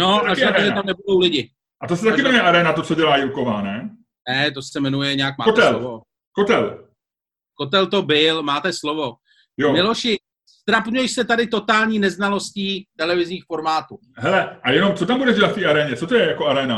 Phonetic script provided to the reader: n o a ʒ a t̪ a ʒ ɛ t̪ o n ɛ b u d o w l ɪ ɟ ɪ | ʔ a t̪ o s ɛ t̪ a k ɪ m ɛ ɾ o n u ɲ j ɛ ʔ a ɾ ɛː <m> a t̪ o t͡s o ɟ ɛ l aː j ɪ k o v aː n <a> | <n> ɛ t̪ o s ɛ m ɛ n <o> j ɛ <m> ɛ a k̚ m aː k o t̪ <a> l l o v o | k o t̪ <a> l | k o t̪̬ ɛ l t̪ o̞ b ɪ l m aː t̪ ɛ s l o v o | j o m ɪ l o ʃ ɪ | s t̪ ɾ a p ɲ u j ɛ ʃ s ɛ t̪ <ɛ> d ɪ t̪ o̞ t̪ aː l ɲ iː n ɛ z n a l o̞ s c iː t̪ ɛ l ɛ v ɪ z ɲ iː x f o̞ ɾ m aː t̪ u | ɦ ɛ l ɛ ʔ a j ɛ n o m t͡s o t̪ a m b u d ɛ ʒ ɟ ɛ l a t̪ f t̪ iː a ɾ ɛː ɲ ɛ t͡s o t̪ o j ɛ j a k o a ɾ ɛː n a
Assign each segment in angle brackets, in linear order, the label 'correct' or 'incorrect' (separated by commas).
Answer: incorrect, incorrect, correct, incorrect, incorrect, incorrect, incorrect, incorrect